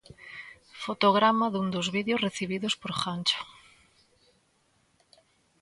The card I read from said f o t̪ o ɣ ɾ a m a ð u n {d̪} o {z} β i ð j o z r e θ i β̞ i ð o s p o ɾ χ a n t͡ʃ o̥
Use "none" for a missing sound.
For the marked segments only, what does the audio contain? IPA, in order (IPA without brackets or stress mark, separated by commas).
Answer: d̪, z